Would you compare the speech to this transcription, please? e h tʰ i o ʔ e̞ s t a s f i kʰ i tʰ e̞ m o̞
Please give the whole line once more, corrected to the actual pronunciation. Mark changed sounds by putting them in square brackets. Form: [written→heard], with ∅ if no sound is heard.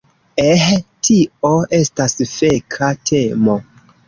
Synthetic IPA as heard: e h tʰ i o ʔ e̞ s t a s f [i→e] kʰ [i→a] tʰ e̞ m o̞